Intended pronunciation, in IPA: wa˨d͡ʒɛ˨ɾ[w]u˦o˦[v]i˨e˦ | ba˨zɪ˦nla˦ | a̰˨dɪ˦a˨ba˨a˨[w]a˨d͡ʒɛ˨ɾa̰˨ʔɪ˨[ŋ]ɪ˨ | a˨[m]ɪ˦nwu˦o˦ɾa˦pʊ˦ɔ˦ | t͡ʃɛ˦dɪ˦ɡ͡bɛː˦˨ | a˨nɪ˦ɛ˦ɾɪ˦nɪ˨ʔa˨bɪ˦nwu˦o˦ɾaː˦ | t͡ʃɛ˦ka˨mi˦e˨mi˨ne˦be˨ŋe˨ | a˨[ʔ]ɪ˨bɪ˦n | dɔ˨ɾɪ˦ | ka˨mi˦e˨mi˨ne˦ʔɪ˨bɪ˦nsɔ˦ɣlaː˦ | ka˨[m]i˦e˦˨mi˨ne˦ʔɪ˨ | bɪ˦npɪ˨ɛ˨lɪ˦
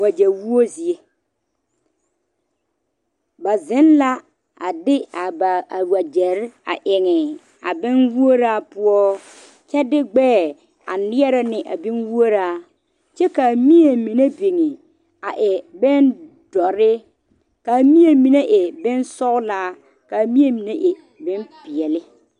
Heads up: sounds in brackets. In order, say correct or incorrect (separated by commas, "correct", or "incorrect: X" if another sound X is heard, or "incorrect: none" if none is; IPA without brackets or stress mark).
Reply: correct, incorrect: z, correct, correct, incorrect: b, correct, correct